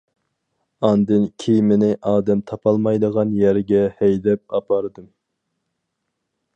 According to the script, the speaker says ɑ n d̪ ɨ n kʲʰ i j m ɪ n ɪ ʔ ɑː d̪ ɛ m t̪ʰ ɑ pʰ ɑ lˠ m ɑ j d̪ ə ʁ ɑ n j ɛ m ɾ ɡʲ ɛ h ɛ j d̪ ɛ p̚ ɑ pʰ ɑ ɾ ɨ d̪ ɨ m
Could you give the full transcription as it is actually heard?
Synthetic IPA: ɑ n d̪ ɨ n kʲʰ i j m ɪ n ɪ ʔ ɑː d̪ ɛ m t̪ʰ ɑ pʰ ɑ lˠ m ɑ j d̪ ə ʁ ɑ n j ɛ ɾ ɡʲ ɛ h ɛ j d̪ ɛ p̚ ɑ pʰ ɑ ɾ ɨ d̪ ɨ m